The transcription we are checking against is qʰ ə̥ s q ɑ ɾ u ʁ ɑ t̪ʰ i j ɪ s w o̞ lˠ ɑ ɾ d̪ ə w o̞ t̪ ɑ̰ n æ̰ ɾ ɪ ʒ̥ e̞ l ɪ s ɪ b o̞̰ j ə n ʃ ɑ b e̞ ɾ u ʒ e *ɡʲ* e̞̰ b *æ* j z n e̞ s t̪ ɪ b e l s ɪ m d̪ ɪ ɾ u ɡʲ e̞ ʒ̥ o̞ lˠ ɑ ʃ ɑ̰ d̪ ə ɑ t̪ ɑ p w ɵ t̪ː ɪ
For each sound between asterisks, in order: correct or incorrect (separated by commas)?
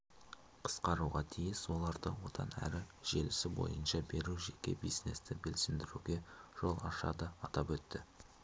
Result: incorrect, incorrect